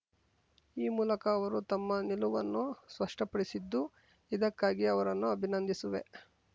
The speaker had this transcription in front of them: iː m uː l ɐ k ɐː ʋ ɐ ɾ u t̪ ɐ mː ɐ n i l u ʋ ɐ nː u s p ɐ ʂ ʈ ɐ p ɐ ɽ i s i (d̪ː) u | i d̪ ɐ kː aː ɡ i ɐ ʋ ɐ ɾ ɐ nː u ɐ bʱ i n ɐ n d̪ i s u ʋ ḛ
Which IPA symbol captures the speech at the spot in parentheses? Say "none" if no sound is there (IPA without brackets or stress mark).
d̪ː